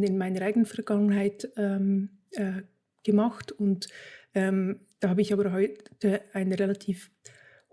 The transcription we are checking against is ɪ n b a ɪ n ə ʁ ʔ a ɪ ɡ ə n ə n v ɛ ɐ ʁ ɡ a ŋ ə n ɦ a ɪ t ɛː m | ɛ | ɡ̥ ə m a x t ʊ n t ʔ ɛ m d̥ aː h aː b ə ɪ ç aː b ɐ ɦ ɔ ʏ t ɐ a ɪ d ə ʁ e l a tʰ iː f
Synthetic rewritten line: ɪ n m a ɪ n ə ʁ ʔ a ɪ ɡ ə n ə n f ɛ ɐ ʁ ɡ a ŋ ə n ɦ a ɪ t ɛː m | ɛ | ɡ̥ ə m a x t ʊ n t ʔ ɛ m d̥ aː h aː b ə ɪ ç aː b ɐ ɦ ɔ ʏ t ə a ɪ n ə ʁ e l a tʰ iː f

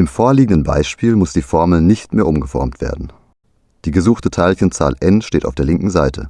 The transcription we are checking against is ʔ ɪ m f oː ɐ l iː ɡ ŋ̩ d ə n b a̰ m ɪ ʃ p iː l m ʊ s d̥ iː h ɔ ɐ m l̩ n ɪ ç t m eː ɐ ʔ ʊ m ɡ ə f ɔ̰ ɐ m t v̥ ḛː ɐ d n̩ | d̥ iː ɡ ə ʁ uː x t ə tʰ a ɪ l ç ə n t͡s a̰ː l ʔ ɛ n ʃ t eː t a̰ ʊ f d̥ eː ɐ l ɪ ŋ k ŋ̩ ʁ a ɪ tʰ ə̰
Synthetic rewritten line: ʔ ɪ m f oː ɐ l iː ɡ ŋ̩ d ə n b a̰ ɪ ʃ p iː l m ʊ s d̥ iː f ɔ ɐ m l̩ n ɪ ç t m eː ɐ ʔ ʊ m ɡ ə f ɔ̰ ɐ m t v̥ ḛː ɐ d n̩ | d̥ iː ɡ ə z uː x t ə tʰ a ɪ l ç ə n t͡s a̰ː l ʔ ɛ n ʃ t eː t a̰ ʊ f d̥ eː ɐ l ɪ ŋ k ŋ̩ z a ɪ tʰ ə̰

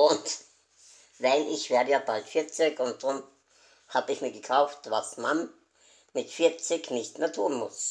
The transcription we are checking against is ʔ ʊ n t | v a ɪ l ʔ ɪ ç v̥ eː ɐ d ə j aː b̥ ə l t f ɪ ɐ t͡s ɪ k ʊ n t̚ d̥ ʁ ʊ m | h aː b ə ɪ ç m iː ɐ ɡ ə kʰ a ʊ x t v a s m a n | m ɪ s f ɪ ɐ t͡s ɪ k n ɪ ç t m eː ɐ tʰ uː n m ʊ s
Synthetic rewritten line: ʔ ʊ n t | v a ɪ l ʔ ɪ ç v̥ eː ɐ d ə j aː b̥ a l t f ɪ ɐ t͡s ɪ k ʊ n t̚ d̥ ʁ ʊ m | h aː b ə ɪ ç m iː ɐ ɡ ə kʰ a ʊ f t v a s m a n | m ɪ t f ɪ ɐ t͡s ɪ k n ɪ ç t m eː ɐ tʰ uː n m ʊ s

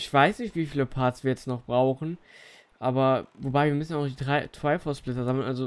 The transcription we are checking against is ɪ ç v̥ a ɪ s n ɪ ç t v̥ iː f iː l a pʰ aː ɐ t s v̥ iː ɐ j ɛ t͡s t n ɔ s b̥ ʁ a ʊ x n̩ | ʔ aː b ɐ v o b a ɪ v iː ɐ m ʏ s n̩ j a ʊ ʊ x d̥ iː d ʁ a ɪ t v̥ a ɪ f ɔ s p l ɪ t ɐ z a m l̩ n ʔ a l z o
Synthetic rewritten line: ɪ ç v̥ a ɪ s n ɪ ç t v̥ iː f iː l ə pʰ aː ɐ t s v̥ iː ɐ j ɛ t͡s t n ɔ χ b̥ ʁ a ʊ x n̩ | ʔ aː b ɐ v o b a ɪ v iː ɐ m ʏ s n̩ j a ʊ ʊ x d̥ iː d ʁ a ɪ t v̥ a ɪ f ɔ s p l ɪ t ɐ z a m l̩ n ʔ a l z o

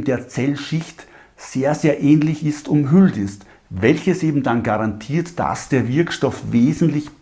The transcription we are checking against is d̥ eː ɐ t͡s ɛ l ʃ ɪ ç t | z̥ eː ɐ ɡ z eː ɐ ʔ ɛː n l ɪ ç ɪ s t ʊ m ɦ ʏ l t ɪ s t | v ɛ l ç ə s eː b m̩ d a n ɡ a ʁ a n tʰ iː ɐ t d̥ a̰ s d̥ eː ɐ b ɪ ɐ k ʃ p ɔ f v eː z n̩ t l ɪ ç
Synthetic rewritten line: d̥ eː ɐ t͡s ɛ l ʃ ɪ ç t | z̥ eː ɐ z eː ɐ ʔ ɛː n l ɪ ç ɪ s t ʊ m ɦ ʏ l t ɪ s t | v ɛ l ç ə s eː b m̩ d a n ɡ a ʁ a n tʰ iː ɐ t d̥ a̰ s d̥ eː ɐ v ɪ ɐ k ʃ t ɔ f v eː z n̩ t l ɪ ç

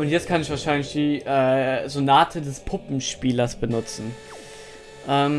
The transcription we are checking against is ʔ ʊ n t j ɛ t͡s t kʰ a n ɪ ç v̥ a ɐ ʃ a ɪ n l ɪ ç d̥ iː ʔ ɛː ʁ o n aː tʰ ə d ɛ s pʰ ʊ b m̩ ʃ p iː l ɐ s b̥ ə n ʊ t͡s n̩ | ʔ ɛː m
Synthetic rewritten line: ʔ ʊ n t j ɛ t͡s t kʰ a n ɪ ç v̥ a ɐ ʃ a ɪ n l ɪ ç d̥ iː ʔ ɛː z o n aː tʰ ə d ɛ s pʰ ʊ p m̩ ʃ p iː l ɐ s b̥ ə n ʊ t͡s n̩ | ʔ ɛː m

